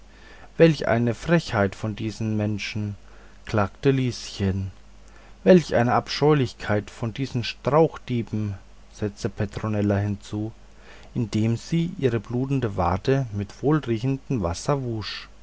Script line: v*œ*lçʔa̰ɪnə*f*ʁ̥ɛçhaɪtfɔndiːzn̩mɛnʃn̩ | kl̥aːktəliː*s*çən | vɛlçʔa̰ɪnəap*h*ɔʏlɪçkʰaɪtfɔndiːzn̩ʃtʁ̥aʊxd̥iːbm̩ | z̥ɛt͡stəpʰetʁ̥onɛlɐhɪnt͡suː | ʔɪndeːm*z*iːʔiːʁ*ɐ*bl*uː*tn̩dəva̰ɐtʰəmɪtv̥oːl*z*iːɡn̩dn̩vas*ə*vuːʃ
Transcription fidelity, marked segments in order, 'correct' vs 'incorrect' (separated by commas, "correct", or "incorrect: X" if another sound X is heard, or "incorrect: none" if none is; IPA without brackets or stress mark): incorrect: ɛ, correct, correct, incorrect: ʃ, correct, incorrect: ə, correct, incorrect: ʁ, incorrect: ɐ